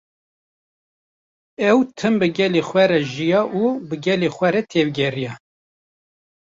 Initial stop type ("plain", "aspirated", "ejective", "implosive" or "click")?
aspirated